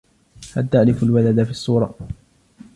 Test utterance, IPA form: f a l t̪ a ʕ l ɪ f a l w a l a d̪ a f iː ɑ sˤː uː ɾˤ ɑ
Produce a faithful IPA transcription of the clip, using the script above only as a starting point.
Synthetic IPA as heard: h a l t̪ a ʕ l ɪ f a l w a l a d̪ a f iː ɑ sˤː uː ɾˤ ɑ